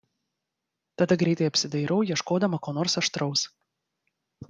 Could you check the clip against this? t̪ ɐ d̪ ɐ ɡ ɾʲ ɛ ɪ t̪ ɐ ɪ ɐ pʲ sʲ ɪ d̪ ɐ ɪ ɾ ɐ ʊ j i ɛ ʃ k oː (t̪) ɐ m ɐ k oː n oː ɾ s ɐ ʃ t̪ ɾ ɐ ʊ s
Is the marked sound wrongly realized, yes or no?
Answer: yes